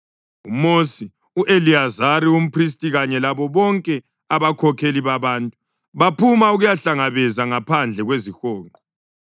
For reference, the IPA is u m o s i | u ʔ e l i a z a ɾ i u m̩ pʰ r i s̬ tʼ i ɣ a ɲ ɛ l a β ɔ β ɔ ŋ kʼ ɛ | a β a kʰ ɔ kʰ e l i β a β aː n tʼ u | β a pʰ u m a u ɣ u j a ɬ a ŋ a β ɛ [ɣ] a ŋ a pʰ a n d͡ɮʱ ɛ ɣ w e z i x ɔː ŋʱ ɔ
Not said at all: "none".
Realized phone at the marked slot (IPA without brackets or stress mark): z